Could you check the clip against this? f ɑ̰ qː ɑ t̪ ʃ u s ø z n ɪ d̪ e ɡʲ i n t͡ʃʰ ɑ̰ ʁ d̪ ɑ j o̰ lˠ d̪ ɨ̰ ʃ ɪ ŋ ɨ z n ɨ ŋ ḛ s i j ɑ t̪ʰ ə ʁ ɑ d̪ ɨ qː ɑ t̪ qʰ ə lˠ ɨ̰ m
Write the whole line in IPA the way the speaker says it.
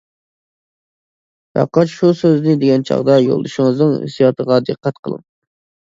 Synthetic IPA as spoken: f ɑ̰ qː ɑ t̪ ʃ u s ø z n ɪ d̪ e ɡʲ ɛ n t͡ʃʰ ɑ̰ ʁ d̪ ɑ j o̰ lˠ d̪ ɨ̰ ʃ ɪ ŋ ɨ z n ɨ ŋ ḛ s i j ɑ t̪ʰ ə ʁ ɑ d̪ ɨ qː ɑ t̪ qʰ ə lˠ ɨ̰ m